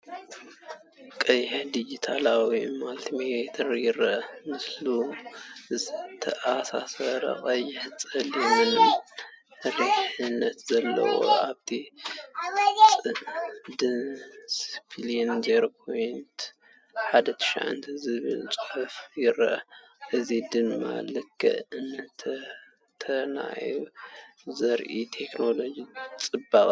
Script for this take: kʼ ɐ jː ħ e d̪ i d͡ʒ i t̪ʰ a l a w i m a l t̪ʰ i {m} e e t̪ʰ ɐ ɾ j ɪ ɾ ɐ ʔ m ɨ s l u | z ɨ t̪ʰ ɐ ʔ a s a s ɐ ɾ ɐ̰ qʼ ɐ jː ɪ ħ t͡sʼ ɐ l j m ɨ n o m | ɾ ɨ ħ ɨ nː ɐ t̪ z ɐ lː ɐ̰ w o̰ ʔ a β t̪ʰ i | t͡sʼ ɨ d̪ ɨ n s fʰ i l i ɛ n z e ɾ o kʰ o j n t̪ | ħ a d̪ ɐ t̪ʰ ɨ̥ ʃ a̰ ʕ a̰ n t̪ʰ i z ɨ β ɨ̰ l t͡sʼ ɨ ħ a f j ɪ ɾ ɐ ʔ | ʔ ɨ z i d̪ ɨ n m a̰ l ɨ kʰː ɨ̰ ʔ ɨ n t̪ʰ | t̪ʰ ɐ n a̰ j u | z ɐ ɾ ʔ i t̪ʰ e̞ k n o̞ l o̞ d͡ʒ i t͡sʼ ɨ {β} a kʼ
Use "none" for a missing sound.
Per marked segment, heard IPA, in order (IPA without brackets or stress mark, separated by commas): m, b